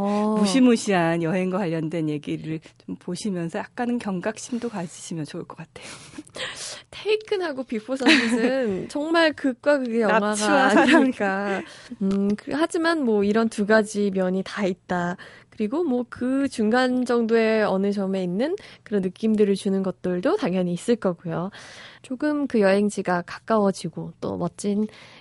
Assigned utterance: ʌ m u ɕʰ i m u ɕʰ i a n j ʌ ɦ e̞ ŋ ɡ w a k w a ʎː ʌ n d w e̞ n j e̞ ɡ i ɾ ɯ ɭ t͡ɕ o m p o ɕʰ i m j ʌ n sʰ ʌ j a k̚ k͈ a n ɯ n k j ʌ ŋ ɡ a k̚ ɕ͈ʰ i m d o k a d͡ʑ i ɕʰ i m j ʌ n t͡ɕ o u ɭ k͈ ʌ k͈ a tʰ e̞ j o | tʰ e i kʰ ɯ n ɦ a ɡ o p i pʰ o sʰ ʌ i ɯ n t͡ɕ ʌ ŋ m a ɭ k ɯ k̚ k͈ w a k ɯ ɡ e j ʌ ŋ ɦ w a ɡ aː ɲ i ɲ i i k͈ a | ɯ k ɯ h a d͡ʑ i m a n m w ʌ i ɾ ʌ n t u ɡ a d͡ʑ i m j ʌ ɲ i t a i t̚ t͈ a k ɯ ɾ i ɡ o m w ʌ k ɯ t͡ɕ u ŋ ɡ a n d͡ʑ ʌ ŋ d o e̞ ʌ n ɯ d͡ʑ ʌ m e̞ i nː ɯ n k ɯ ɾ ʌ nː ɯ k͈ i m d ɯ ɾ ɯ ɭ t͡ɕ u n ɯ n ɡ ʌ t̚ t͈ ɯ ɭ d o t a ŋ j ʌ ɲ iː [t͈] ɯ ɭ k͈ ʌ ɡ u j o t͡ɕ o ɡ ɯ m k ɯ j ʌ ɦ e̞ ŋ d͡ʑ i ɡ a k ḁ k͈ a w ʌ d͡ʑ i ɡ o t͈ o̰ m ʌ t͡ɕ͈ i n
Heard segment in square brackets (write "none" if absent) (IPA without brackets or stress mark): s͈